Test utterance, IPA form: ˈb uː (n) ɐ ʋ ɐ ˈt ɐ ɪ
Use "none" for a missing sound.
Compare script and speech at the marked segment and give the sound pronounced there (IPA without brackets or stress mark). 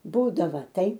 d